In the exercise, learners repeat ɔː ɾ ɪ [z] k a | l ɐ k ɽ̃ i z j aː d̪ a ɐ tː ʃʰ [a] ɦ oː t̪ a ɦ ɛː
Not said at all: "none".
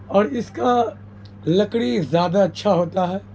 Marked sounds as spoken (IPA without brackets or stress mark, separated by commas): s, a